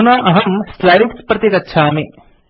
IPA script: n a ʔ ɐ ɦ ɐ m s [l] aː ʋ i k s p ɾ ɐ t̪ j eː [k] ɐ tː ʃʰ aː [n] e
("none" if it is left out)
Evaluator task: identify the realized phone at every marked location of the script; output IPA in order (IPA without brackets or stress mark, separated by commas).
l, k, m